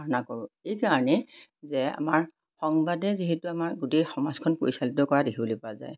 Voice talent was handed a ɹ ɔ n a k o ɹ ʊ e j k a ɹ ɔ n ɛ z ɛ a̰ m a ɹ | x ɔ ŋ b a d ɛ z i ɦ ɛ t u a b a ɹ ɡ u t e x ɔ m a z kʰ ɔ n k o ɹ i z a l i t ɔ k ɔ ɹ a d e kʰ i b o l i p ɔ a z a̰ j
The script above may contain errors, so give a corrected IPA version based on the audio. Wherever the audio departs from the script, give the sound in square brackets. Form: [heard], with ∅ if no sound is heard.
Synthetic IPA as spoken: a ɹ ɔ n a k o ɹ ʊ e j k a ɹ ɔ n ɛ z ɛ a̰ m a ɹ | x ɔ ŋ b a d ɛ z i ɦ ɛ t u a [m] a ɹ ɡ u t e x ɔ m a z kʰ ɔ n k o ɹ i [s] a l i t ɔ k ɔ ɹ a d e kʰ i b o l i p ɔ a z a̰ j